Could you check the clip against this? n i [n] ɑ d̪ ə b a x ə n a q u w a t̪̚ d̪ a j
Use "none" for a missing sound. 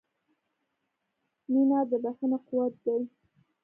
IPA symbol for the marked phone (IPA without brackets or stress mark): n